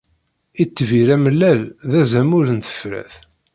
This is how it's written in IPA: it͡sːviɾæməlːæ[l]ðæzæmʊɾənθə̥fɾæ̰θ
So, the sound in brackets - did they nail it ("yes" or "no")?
yes